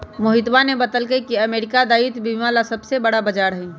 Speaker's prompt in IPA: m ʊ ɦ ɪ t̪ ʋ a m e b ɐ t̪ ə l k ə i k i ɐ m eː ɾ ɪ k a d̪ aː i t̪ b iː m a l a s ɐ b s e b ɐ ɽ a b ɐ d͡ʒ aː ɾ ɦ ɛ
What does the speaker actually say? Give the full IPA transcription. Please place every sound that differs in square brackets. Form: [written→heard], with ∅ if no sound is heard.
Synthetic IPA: m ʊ ɦ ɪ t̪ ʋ a [m→n] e b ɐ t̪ ə l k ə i k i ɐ m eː ɾ ɪ k a d̪ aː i t̪ b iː m a l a s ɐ b s e b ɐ ɽ a b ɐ d͡ʒ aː ɾ ɦ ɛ

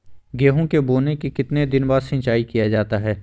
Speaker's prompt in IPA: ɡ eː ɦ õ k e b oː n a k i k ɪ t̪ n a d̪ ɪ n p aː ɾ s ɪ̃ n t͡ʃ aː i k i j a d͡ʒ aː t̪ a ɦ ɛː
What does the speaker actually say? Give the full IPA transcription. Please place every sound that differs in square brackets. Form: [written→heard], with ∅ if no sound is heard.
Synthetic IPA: ɡ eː ɦ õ k e b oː n [a→e] k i k ɪ t̪ n [a→e] d̪ ɪ n [p→b] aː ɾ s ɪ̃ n t͡ʃ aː i k i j a d͡ʒ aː t̪ a ɦ ɛː

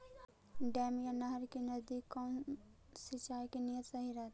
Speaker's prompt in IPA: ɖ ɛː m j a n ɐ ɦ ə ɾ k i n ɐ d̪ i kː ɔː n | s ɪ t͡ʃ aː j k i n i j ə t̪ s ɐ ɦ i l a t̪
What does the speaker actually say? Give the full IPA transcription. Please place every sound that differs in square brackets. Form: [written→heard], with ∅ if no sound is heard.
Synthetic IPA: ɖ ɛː m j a n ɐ ɦ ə ɾ k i n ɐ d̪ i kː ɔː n | s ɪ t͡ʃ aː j k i n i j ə t̪ s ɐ ɦ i [l→ɾ] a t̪

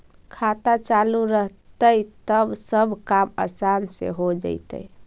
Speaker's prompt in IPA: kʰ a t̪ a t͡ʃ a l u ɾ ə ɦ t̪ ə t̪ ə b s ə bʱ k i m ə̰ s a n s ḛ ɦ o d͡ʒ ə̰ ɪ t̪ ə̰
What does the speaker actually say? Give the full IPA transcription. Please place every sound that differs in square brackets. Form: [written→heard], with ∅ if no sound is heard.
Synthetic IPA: kʰ a t̪ a t͡ʃ a l u ɾ ə ɦ t̪ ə t̪ ə b s ə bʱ k [i→a] m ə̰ s a n s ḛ ɦ o d͡ʒ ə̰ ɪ t̪ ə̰

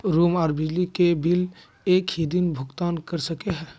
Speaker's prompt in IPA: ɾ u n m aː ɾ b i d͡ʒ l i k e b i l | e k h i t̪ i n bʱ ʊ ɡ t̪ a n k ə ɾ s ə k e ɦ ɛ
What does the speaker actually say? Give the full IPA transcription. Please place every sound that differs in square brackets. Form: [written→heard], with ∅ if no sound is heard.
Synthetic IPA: ɾ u [n→∅] m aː ɾ b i d͡ʒ l i k e b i l | e k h i [t̪→d̪] i n bʱ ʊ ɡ t̪ a n k ə ɾ s ə k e ɦ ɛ

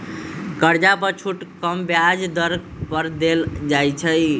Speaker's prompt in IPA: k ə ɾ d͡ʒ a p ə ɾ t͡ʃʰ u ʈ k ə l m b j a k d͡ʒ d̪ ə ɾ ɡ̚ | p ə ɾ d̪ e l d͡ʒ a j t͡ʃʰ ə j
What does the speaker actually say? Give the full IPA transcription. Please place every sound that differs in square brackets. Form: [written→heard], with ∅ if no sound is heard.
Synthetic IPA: k ə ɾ d͡ʒ a p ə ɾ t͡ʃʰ u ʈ k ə [l→∅] m b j a [k→∅] d͡ʒ d̪ ə ɾ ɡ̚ | p ə ɾ d̪ e l d͡ʒ a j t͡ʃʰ ə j

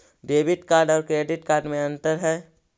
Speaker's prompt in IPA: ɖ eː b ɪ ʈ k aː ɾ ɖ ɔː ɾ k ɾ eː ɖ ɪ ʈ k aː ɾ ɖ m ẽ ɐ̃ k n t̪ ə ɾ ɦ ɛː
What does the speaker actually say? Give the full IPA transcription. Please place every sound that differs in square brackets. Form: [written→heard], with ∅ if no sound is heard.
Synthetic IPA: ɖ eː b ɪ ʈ k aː ɾ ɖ ɔː ɾ k ɾ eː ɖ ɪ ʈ k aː ɾ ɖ m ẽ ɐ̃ [k→∅] n t̪ ə ɾ ɦ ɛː

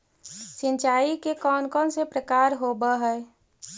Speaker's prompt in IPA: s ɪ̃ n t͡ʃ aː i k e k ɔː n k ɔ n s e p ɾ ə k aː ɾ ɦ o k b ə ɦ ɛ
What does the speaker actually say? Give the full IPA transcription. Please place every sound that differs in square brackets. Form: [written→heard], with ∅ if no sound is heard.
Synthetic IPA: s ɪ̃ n t͡ʃ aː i k e k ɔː n k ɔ n s e p ɾ ə k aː ɾ ɦ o [k→∅] b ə ɦ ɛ

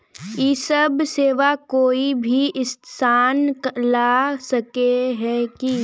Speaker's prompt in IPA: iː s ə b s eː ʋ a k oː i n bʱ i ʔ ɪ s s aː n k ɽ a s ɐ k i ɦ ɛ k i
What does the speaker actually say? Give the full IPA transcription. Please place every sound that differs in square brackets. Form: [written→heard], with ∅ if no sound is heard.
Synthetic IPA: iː s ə b s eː ʋ a k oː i [n→∅] bʱ i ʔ ɪ s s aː n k [ɽ→l] a s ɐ k [i→e] ɦ ɛ k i

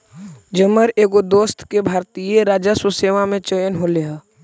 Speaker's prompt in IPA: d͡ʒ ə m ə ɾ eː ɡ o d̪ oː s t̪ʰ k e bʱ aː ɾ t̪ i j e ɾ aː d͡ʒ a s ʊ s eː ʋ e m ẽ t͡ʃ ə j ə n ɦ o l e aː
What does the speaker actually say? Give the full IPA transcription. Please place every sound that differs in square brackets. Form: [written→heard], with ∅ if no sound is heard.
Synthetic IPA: d͡ʒ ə m ə ɾ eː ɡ o d̪ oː s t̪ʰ k e bʱ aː ɾ t̪ i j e ɾ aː d͡ʒ a s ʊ s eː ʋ [e→a] m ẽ t͡ʃ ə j ə n ɦ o l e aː

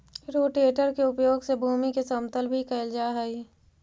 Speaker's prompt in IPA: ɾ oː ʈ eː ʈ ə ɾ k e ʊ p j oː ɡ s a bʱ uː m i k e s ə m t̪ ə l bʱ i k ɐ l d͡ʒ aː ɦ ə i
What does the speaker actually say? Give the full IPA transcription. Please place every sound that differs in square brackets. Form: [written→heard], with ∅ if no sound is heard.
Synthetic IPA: ɾ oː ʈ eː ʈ ə ɾ k e ʊ p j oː ɡ s [a→e] bʱ uː m i k e s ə m t̪ ə l bʱ i k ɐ l d͡ʒ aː ɦ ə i

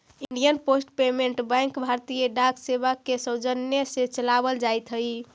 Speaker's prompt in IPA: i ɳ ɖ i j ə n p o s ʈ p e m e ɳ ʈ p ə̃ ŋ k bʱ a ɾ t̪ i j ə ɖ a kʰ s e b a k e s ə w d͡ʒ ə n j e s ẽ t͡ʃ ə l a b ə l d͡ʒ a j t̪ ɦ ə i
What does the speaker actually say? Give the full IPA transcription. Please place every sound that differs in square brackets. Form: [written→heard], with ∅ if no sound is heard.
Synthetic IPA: i ɳ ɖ i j ə n p o s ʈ p e m e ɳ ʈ [p→b] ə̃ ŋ k bʱ a ɾ t̪ i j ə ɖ a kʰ s e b a k e s ə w d͡ʒ ə n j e s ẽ t͡ʃ ə l a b ə l d͡ʒ a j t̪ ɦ ə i

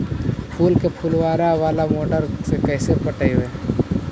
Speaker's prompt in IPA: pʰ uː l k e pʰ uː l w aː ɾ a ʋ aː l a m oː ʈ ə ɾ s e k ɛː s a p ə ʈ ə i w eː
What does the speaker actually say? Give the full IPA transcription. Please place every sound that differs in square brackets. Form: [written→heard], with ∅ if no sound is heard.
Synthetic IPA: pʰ uː l k e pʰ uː l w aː ɾ a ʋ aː l a m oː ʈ ə ɾ s e k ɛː s [a→e] p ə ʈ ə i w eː

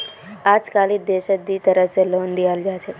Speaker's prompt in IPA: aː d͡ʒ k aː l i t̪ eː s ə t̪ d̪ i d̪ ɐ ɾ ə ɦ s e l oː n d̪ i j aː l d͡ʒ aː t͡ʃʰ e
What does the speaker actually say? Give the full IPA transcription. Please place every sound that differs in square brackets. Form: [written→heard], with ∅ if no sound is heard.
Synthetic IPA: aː d͡ʒ k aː l i [t̪→d̪] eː [s→ʃ] ə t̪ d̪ i [d̪→t̪] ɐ ɾ ə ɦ s e l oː n d̪ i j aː l d͡ʒ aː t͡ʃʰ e

